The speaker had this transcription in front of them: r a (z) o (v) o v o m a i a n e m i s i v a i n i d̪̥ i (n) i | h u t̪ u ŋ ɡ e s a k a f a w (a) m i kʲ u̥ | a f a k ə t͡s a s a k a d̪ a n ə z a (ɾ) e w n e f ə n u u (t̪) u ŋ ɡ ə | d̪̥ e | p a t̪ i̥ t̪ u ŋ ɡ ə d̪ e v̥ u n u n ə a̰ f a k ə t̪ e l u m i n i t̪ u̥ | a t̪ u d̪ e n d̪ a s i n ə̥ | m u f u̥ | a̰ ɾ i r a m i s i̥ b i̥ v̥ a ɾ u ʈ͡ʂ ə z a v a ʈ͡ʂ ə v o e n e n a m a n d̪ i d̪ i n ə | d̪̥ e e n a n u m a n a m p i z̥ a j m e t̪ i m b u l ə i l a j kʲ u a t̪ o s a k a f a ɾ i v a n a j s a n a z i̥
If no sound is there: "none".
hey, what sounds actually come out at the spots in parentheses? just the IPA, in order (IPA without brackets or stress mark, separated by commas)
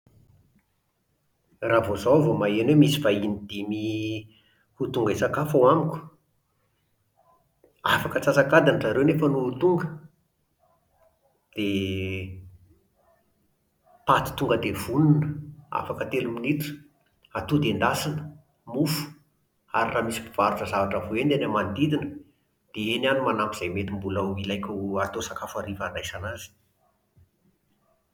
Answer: v, z, m, a, ɾ, t̪